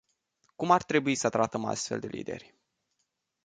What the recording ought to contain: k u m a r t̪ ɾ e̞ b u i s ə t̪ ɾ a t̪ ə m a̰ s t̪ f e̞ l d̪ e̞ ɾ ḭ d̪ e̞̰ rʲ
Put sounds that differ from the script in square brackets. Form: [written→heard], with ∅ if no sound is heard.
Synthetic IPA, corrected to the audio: k u m a r t̪ ɾ e̞ b u i s ə t̪ ɾ a t̪ ə m a̰ s t̪ f e̞ l d̪ e̞ [ɾ→l] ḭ d̪ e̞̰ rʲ